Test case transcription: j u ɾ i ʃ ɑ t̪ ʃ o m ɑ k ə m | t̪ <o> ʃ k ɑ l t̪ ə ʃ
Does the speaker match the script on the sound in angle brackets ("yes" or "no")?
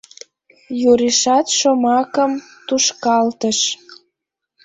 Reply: no